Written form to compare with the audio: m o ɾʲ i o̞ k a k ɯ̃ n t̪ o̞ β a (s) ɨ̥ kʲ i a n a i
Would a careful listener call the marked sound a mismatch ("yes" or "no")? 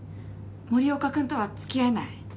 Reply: yes